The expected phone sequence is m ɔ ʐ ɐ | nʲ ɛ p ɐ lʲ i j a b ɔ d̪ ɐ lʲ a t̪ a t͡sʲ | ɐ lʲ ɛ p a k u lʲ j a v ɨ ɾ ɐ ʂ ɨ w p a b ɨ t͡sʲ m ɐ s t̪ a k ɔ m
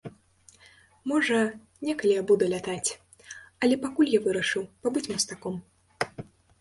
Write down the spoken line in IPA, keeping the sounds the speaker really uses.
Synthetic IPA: m ɔ ʐ ɐ | nʲ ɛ k ɐ lʲ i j a b u d̪ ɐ lʲ a t̪ a t͡sʲ | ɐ lʲ ɛ p a k u lʲ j a v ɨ ɾ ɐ ʂ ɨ w p a b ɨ t͡sʲ m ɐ s t̪ a k ɔ m

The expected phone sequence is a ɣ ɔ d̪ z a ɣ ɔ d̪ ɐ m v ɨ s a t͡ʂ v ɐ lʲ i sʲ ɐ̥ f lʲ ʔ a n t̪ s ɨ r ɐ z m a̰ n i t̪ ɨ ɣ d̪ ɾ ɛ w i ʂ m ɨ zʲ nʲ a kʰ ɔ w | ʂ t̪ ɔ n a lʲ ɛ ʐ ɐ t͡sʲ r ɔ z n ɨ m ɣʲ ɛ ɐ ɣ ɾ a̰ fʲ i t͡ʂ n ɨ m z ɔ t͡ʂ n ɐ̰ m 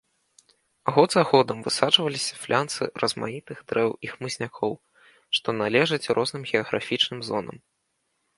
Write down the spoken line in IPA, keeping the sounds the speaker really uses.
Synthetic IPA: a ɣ ɔ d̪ z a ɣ ɔ d̪ ɐ m v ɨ s a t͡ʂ v ɐ lʲ i sʲ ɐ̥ f lʲ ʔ a n t̪ s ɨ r ɐ z m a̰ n i t̪ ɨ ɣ d̪ ɾ ɛ w i x m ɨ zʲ nʲ a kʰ ɔ w | ʂ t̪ ɔ n a lʲ ɛ ʐ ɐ t͡sʲ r ɔ z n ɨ m ɣʲ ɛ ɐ ɣ ɾ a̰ fʲ i t͡ʂ n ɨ m z ɔ n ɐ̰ m

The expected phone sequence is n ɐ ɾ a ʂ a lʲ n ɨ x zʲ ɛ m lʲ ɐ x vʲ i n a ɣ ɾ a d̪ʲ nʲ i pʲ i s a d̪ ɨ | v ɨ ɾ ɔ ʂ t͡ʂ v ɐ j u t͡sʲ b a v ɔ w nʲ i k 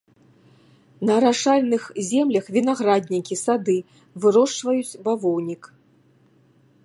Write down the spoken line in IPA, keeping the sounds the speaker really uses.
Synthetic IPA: n ɐ ɾ a ʂ a lʲ n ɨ x zʲ ɛ m lʲ ɐ x vʲ i n a ɣ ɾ a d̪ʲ nʲ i kʲ i s a d̪ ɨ | v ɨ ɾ ɔ ʂ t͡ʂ v ɐ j u t͡sʲ b a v ɔ w nʲ i k

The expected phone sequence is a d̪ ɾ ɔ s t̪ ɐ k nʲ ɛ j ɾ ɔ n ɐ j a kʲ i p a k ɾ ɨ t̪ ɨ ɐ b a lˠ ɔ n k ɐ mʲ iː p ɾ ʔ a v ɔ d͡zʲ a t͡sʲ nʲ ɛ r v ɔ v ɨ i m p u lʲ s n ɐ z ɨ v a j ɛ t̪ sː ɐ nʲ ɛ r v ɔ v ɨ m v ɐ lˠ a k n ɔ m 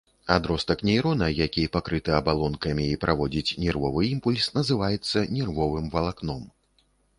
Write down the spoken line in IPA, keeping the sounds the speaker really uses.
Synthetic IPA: a d̪ ɾ ɔ s t̪ ɐ k nʲ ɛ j ɾ ɔ n ɐ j a kʲ i p a k ɾ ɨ t̪ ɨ ɐ b a lˠ ɔ n k ɐ mʲ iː p ɾ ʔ a v ɔ d͡zʲ i t͡sʲ nʲ ɛ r v ɔ v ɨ i m p u lʲ s n ɐ z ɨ v a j ɛ t̪ sː ɐ nʲ ɛ r v ɔ v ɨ m v ɐ lˠ a k n ɔ m

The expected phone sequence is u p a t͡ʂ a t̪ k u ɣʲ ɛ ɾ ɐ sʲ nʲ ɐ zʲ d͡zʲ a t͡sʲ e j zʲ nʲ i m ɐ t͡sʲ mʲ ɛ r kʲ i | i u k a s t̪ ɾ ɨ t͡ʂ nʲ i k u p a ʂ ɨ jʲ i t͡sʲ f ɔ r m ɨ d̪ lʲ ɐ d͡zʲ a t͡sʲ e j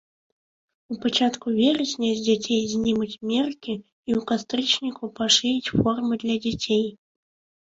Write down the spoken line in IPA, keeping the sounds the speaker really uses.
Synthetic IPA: u p a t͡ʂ a t̪ k u vʲ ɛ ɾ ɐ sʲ nʲ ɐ zʲ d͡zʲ a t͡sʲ e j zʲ nʲ i m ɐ t͡sʲ mʲ ɛ r kʲ i | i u k a s t̪ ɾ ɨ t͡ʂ nʲ i k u p a ʂ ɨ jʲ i t͡sʲ f ɔ r m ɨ d̪ lʲ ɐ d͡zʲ a t͡sʲ e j

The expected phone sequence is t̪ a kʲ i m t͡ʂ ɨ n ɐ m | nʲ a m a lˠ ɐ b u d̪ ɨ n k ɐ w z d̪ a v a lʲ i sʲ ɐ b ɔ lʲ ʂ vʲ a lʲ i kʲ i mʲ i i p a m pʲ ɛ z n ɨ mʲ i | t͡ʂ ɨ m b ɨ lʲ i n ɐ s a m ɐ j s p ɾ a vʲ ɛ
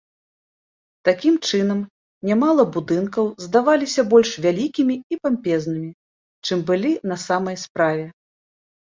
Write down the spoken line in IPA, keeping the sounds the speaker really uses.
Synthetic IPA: t̪ a kʲ i m t͡ʂ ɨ n ɐ m | nʲ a m a lˠ ɐ b u d̪ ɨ n k ɐ w z d̪ a v a lʲ i sʲ ɐ b ɔ lʲ ʂ vʲ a lʲ i kʲ i mʲ i i p a m pʲ ɛ z n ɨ mʲ i | t͡ʂ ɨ m b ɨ lʲ i n ɐ s a m ɐ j s p ɾ a vʲ ɛ

